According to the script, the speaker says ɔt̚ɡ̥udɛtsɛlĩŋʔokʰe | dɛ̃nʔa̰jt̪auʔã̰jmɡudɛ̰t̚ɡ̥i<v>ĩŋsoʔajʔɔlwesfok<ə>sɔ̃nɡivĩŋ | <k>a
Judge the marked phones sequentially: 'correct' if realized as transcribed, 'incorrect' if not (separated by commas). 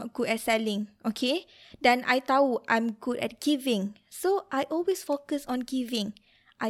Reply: correct, correct, incorrect